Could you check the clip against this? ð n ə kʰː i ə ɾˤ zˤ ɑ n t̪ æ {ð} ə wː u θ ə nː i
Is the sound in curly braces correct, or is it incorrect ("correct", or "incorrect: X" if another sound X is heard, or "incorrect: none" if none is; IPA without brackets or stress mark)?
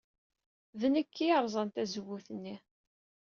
incorrect: z